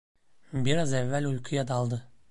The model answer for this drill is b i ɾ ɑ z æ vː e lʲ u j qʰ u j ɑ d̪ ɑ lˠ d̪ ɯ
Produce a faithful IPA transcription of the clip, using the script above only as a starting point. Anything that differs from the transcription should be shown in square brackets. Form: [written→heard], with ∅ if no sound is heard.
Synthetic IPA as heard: b i ɾ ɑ z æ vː [e→æ] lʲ u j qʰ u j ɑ d̪ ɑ lˠ d̪ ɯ

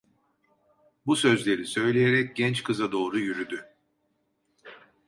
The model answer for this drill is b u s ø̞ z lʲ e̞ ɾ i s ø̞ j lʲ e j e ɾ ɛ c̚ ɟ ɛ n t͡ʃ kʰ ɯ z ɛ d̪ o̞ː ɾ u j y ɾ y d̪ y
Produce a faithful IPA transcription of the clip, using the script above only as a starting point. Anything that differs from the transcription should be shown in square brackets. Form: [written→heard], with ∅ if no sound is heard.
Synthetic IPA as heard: b u s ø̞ z lʲ e̞ ɾ i s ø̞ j lʲ e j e ɾ ɛ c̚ ɟ ɛ n t͡ʃ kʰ ɯ z [ɛ→a] d̪ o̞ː ɾ u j y ɾ y d̪ y

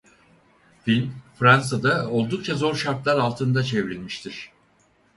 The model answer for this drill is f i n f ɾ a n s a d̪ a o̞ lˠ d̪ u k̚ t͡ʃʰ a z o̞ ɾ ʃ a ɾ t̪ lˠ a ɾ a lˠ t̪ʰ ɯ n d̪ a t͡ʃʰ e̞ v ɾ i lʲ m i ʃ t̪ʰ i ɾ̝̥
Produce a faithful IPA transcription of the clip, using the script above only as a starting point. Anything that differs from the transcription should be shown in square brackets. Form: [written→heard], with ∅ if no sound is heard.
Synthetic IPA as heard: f i n f ɾ a n s a d̪ a o̞ lˠ d̪ u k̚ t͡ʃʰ a z o̞ ɾ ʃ a ɾ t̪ lˠ a ɾ a lˠ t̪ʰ ɯ n d̪ a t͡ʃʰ e̞ v ɾ i lʲ m i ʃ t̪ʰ i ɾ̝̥

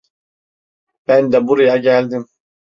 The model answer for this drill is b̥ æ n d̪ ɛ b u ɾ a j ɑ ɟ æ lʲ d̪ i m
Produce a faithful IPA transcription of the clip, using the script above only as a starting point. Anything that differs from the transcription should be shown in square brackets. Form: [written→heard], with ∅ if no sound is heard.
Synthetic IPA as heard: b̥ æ n d̪ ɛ b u ɾ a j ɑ ɟ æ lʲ d̪ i m

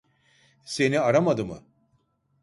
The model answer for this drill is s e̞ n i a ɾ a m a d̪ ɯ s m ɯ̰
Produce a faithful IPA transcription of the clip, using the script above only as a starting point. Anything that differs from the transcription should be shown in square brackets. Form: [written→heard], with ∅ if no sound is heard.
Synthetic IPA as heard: s e̞ n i a ɾ a m a d̪ ɯ [s→∅] m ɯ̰

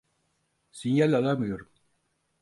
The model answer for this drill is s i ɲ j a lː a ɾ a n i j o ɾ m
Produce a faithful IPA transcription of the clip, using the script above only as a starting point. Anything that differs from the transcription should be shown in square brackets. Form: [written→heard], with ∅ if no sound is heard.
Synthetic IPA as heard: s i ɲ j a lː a [ɾ→l] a [n→m] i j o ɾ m

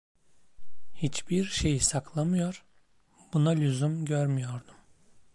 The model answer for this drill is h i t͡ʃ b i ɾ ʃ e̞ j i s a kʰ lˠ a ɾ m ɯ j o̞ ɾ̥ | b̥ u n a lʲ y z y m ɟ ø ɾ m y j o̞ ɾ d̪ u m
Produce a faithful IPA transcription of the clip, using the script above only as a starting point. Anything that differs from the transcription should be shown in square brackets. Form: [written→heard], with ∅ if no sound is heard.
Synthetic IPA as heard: h i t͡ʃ b i ɾ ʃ e̞ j i s a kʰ lˠ a [ɾ→∅] m ɯ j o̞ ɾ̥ | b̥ u n a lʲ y z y m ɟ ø ɾ m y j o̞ ɾ d̪ u m

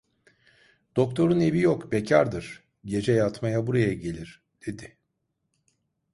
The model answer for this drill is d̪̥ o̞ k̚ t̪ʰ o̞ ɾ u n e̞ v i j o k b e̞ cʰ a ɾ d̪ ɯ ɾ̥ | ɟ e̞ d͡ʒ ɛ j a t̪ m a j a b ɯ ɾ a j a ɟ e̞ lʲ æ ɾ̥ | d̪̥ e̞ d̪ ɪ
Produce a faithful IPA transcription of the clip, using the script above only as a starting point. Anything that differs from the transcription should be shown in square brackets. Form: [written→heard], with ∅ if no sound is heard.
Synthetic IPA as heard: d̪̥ o̞ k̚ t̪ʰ o̞ ɾ u n e̞ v i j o k b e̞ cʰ a ɾ d̪ ɯ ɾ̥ | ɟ e̞ d͡ʒ ɛ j a t̪ m a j a b [ɯ→u] ɾ a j a ɟ e̞ lʲ [æ→i] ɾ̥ | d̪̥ e̞ d̪ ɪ

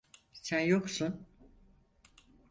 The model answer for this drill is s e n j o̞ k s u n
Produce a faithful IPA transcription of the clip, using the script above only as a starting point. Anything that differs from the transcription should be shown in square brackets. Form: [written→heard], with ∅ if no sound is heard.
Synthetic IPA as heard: s [e→æ] n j o̞ k s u n

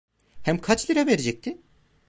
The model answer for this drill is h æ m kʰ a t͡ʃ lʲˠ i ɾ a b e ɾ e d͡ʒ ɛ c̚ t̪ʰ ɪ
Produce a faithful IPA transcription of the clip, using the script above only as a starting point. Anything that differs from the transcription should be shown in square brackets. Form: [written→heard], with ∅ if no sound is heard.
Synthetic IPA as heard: h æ m kʰ a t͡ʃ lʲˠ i ɾ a [b→v] e ɾ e d͡ʒ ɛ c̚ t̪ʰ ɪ

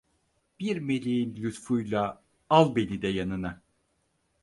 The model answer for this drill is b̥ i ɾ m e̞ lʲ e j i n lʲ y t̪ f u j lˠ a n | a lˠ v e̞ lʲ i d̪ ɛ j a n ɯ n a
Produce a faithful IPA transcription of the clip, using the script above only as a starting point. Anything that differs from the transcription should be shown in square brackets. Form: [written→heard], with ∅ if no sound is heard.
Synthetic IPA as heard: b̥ i ɾ m e̞ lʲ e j i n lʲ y t̪ f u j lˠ a [n→∅] | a lˠ [v→b] e̞ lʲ i d̪ ɛ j a n ɯ n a

